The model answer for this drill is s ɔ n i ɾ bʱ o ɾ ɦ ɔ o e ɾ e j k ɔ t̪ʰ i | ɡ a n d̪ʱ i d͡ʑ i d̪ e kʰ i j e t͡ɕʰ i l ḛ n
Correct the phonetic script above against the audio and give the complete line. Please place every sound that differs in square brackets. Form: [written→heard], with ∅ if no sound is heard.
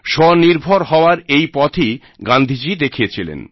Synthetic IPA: [s→ʃ] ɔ n i ɾ bʱ o ɾ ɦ ɔ o [e→a] ɾ e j [k→p] ɔ t̪ʰ i | ɡ a n d̪ʱ i d͡ʑ i d̪ e kʰ i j e t͡ɕʰ i l ḛ n

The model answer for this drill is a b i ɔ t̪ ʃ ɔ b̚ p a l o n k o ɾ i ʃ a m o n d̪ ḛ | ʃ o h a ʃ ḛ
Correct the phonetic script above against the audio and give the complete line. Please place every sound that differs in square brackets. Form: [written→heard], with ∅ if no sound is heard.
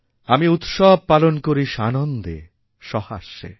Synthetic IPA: a [b→m] i [ɔ→u] t̪ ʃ ɔ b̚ p a l o n k o ɾ i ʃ a [m→n] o n d̪ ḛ | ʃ [o→ɔ] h a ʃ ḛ

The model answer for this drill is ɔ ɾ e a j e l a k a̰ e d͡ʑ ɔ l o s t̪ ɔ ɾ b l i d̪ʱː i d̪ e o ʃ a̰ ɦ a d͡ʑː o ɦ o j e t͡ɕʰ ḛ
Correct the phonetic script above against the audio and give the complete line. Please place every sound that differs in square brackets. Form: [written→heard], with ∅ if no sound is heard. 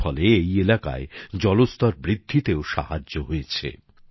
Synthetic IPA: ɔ [ɾ→l] e [a→e] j e l a k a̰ e d͡ʑ ɔ l o s t̪ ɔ ɾ b [l→ɾ] i d̪ʱː i [d̪→t̪] e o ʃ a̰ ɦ a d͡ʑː o ɦ o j e t͡ɕʰ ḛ

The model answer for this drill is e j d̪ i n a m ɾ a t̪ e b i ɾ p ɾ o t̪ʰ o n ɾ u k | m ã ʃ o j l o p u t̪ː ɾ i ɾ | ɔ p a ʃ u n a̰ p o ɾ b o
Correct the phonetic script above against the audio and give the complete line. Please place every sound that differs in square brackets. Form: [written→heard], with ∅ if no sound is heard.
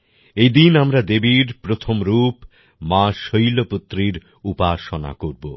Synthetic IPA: e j d̪ i n a m ɾ a [t̪→d̪] e b i ɾ p ɾ o t̪ʰ o [n→m] ɾ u [k→p] | m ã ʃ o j l o p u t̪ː ɾ i ɾ | [ɔ→u] p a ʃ [u→o] n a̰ [p→k] o ɾ b o

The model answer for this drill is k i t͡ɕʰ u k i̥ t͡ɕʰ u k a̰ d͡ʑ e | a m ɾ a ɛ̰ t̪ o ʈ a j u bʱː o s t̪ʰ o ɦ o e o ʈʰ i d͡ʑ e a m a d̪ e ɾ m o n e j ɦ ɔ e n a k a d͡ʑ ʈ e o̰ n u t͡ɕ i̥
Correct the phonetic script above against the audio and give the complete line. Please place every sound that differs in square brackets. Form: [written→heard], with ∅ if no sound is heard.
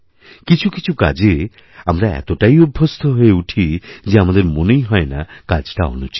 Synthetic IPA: k i t͡ɕʰ u k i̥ t͡ɕʰ u k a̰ d͡ʑ e | a m ɾ a ɛ̰ t̪ o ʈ a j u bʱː o s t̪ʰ o ɦ o e [o→u] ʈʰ i d͡ʑ e a m a d̪ e ɾ m o n e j ɦ ɔ e n a k a d͡ʑ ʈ [e→a] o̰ n u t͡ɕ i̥

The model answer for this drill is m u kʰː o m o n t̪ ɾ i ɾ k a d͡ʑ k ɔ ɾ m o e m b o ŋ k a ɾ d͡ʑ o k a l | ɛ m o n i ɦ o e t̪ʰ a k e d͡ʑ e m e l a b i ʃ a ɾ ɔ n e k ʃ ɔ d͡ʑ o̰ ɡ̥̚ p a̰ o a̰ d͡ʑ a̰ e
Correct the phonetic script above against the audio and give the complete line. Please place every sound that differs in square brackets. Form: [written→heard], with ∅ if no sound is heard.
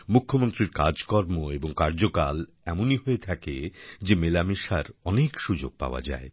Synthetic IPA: m u kʰː o m o n t̪ ɾ i ɾ k a d͡ʑ k ɔ ɾ m o e [m→∅] b o ŋ k a ɾ d͡ʑ o k a l | ɛ m o n i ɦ o e t̪ʰ a k e d͡ʑ e m e l a [b→m] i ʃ a ɾ ɔ n e k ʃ [ɔ→u] d͡ʑ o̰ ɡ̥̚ p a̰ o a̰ d͡ʑ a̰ e

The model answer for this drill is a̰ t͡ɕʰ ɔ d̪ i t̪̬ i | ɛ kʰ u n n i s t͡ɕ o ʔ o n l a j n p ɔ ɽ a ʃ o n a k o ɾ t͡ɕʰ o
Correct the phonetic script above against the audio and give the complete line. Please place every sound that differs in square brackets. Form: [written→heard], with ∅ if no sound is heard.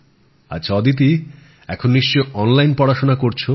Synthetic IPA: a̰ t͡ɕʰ ɔ d̪ i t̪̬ i | ɛ kʰ [u→o] n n i [s→ʃ] t͡ɕ o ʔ [o→ɔ] n l a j n p ɔ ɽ a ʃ o n a k o ɾ t͡ɕʰ o

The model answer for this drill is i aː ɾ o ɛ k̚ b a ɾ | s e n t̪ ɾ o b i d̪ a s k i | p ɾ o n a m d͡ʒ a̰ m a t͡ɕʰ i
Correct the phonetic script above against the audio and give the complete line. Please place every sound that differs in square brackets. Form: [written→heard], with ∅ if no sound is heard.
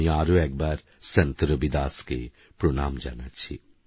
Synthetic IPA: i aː ɾ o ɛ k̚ b a ɾ | s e n t̪ ɾ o b i d̪ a s k [i→e] | p ɾ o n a m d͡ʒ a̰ [m→n] a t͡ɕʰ i

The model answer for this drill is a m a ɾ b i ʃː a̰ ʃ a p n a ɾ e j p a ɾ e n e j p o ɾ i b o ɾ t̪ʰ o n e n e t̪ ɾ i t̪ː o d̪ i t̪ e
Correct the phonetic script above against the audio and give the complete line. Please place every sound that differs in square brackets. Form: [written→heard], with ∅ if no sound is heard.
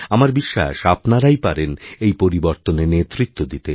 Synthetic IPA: a m a ɾ b i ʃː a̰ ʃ a p n a ɾ [e→a] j p a ɾ e n e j p o ɾ i b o ɾ [t̪ʰ→t̪] o n e n e t̪ ɾ i t̪ː o d̪ i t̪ e

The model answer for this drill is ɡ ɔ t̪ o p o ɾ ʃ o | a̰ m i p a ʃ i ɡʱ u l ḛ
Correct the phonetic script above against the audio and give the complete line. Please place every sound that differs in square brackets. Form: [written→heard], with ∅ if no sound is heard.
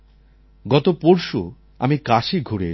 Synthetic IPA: ɡ ɔ t̪ o p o ɾ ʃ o | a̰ m i [p→k] a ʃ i ɡʱ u [l→ɾ] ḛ

